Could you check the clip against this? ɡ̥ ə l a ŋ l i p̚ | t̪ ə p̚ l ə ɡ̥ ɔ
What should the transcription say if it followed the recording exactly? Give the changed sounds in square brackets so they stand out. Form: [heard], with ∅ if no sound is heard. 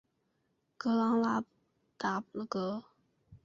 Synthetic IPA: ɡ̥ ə l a ŋ l [a] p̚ | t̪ [a] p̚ l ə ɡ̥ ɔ